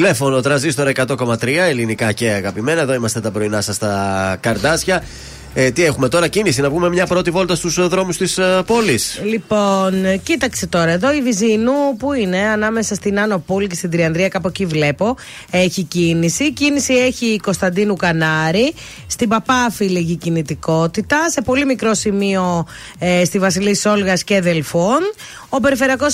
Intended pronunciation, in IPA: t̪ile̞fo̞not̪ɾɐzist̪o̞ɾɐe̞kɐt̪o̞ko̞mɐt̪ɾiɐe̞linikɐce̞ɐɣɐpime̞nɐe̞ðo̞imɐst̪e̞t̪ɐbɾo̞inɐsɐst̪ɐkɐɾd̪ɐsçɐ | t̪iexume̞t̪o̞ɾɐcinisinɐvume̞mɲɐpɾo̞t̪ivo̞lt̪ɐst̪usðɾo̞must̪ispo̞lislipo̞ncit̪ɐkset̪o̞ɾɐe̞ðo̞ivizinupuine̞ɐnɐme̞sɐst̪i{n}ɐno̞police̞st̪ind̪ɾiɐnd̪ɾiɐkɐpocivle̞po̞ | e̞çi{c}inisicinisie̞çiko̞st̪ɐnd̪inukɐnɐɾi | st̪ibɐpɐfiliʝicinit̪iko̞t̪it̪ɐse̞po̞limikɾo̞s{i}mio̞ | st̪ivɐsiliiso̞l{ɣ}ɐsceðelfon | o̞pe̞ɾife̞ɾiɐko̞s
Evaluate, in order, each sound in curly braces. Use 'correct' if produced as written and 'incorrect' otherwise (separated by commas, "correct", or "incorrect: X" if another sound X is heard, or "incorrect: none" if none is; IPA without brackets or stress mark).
correct, correct, correct, correct